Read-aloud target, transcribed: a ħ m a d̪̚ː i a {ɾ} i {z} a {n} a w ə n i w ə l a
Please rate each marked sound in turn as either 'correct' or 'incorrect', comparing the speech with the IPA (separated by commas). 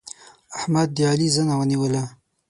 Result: incorrect, correct, correct